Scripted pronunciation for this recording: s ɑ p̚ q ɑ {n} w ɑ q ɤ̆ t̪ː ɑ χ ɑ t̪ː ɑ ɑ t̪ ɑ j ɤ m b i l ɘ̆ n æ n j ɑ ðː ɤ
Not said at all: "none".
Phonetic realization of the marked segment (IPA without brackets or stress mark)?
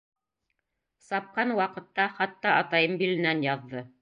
n